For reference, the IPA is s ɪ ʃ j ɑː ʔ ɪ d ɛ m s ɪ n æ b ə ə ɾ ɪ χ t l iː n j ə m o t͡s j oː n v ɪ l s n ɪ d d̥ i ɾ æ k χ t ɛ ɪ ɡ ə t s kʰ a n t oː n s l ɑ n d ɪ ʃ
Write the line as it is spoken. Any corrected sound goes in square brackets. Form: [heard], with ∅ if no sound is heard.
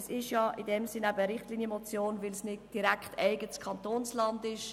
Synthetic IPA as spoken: s ɪ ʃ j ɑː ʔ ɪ d ɛ m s ɪ n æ b ə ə ɾ ɪ χ t l iː n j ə m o t͡s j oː n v ɪ l s n ɪ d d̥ i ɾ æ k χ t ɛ ɪ ɡ ə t s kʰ [ɑ] n t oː n s l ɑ n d ɪ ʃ